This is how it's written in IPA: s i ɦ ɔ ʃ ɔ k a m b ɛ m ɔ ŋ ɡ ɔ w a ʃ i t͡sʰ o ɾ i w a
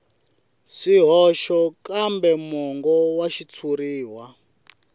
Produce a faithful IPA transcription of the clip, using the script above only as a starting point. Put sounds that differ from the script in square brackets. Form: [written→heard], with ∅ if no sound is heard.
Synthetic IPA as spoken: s i ɦ ɔ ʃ ɔ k a m b ɛ m ɔ ŋ ɡ ɔ w a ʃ i t͡sʰ [o→u] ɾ [i→iː] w a

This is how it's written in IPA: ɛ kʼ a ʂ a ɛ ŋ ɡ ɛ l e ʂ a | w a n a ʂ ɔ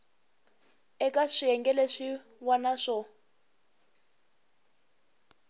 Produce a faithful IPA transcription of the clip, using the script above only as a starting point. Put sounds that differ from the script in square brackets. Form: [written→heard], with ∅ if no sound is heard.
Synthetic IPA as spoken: ɛ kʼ a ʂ [a→i] ɛ ŋ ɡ ɛ l e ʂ [a→i] | w a n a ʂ ɔ

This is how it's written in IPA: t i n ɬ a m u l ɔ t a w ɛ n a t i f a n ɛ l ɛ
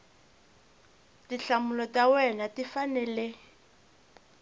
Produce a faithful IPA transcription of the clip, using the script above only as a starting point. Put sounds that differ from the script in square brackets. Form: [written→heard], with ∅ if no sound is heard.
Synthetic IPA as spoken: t i [n→∅] ɬ a m u l ɔ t a w ɛ n a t i f a n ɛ l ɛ

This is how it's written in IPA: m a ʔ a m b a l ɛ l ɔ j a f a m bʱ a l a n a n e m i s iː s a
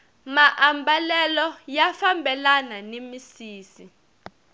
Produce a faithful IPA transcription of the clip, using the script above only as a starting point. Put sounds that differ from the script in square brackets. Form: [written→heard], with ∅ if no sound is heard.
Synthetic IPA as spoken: m a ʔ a m b a l ɛ l ɔ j a f a m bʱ [a→ɛ] l a n a n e m i s iː s [a→i]

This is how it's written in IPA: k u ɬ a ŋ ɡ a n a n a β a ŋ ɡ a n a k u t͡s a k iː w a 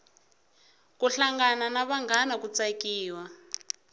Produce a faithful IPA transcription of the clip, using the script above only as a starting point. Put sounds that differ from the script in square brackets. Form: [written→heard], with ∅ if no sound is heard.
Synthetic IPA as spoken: k u ɬ a ŋ ɡ a n a n a β a ŋ ɡ a n a k u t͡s a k iː w a

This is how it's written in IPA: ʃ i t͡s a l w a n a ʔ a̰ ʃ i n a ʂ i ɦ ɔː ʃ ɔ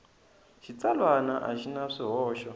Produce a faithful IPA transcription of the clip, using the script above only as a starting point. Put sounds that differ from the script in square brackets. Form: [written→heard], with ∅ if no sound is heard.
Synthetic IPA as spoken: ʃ i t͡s a l w a n a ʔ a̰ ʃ i n a ʂ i ɦ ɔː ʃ ɔ

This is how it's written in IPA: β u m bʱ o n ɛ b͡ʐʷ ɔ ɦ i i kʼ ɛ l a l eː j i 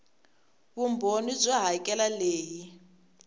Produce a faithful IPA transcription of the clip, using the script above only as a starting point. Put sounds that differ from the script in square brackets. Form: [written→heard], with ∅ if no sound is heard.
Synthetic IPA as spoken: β u m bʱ o n [ɛ→i] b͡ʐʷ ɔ ɦ [i→a] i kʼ ɛ l a l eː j i

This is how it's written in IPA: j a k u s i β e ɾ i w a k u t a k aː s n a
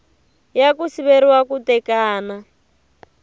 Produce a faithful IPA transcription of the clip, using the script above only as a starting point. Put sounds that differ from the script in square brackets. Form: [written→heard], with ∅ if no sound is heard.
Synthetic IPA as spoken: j a k u s i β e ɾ i w a k u t [a→ɛ] k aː [s→∅] n a

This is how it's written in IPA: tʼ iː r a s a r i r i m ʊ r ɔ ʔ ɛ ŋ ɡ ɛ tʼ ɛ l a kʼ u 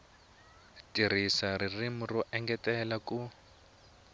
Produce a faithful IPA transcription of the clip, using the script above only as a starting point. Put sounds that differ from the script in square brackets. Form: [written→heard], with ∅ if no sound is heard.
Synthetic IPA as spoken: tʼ [iː→i] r [a→i] s a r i r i m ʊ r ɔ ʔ ɛ ŋ ɡ ɛ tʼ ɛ l a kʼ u

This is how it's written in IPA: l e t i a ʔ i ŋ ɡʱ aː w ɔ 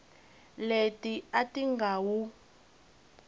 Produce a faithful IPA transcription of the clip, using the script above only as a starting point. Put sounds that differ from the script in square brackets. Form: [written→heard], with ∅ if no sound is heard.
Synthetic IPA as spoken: l e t i a [ʔ→t] i ŋ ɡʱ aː w [ɔ→u]

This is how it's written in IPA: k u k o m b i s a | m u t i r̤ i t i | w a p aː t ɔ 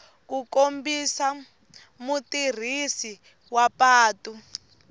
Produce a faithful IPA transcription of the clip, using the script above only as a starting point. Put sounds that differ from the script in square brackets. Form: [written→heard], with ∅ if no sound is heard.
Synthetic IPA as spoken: k u k o m b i s a | m u t i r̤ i [t→s] i | w a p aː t [ɔ→u]

